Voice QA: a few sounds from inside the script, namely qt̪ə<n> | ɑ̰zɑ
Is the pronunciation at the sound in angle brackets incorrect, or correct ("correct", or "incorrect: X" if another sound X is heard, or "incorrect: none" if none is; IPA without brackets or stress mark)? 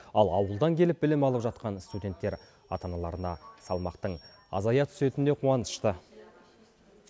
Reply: incorrect: ɴ